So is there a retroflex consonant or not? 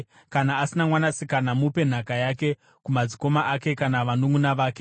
no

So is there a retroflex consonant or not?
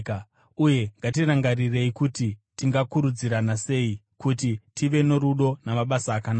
no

